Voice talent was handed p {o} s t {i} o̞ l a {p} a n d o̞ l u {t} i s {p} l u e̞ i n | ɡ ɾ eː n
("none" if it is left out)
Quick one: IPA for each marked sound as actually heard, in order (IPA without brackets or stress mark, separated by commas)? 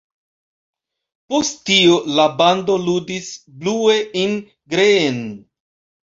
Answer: o, i, b, d, b